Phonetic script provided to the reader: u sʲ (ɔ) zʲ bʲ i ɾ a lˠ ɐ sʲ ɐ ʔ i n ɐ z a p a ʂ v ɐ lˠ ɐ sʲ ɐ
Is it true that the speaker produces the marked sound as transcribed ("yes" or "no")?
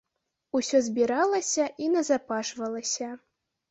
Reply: yes